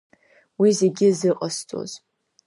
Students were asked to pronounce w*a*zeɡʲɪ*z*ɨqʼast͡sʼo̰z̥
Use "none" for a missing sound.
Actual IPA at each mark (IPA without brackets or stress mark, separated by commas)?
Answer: i, z